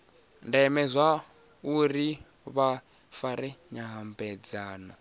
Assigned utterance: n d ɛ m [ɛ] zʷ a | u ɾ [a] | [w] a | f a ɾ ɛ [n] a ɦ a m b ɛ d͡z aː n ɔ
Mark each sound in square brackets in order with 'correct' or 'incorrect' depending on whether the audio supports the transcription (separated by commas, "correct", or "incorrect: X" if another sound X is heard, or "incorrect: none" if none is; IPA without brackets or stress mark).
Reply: correct, incorrect: i, incorrect: β, incorrect: ɲ